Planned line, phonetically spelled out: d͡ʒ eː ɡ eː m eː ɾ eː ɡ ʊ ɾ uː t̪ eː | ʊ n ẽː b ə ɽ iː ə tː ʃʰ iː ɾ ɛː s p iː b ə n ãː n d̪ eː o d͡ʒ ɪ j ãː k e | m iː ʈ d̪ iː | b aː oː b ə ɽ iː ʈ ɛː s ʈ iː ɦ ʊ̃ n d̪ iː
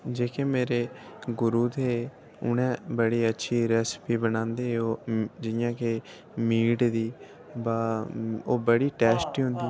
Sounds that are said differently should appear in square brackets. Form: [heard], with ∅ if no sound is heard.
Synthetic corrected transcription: d͡ʒ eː [k] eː m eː ɾ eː ɡ ʊ ɾ uː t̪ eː | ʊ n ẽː b ə ɽ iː ə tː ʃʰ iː ɾ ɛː s p iː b ə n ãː n d̪ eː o d͡ʒ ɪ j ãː k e | m iː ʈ d̪ iː | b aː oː b ə ɽ iː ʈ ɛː s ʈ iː ɦ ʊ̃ n d̪ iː